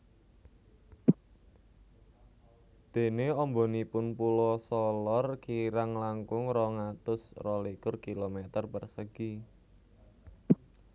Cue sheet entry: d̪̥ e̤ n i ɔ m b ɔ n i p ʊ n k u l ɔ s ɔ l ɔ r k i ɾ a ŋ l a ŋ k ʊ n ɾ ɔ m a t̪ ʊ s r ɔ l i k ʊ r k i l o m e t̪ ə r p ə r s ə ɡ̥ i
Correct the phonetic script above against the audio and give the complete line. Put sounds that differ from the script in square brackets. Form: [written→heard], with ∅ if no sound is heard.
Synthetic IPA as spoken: d̪̥ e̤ n [i→e] ɔ m b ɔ n i p ʊ n [k→p] u l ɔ s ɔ l ɔ r k i ɾ a ŋ l a ŋ k ʊ [n→ŋ] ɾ ɔ [m→ŋ] a t̪ ʊ s r ɔ l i k ʊ r k i l o m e t̪ ə r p ə r s ə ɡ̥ i